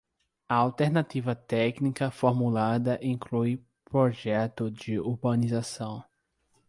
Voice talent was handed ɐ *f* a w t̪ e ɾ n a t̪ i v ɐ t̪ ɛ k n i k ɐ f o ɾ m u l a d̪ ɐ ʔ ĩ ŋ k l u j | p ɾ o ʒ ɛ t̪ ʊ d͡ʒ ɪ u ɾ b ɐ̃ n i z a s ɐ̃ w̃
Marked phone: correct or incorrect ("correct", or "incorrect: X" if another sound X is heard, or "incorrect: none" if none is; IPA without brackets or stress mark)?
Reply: incorrect: none